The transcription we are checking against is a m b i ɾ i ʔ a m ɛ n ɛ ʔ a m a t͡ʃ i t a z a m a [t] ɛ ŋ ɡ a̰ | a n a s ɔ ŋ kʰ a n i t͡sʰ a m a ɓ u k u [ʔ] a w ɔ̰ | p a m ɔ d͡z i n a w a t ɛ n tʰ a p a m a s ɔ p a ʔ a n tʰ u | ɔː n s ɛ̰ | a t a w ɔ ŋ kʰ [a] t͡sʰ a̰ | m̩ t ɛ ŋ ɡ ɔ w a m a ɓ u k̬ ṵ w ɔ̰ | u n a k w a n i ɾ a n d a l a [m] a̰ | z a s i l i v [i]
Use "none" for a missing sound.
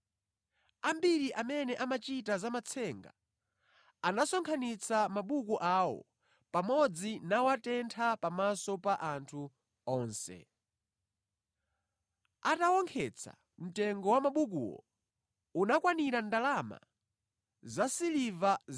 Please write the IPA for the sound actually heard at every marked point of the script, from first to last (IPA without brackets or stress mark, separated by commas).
t͡sʰ, ʔ, ɛ, m, a